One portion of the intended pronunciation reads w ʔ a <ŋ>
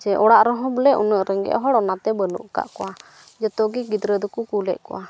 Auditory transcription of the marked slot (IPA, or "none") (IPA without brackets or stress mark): none